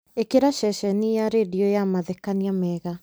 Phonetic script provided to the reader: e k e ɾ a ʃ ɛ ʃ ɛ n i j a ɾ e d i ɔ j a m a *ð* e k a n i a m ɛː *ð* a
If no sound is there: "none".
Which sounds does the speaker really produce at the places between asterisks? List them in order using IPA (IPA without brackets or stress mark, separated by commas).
ð, ɣ